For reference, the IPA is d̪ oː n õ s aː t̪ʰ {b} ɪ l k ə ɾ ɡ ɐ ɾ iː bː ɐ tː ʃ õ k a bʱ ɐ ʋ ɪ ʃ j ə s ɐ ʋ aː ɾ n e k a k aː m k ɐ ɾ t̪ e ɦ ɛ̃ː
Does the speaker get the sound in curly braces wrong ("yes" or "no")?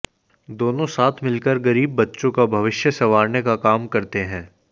yes